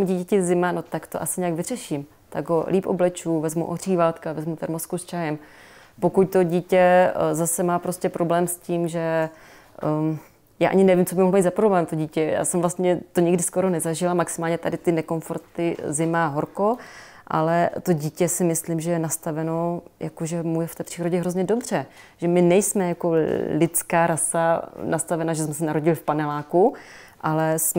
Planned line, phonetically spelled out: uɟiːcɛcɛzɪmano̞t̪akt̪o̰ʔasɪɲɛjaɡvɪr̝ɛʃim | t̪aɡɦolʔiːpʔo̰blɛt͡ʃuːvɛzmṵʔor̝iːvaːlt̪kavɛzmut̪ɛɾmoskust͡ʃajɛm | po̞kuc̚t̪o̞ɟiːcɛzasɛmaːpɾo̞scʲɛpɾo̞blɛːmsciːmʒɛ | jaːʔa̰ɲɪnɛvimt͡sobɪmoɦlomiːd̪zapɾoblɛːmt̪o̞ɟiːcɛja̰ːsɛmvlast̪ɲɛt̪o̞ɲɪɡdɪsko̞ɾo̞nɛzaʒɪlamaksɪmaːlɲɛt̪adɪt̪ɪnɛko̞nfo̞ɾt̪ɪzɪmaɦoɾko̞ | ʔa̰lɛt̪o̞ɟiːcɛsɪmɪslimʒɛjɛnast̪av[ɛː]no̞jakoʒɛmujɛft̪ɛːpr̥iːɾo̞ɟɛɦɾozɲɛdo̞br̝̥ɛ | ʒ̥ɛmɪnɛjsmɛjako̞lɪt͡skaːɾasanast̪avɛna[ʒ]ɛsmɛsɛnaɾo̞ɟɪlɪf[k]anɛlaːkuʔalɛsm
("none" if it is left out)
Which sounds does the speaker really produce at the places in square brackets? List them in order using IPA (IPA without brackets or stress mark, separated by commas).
ɛ, ʒ, p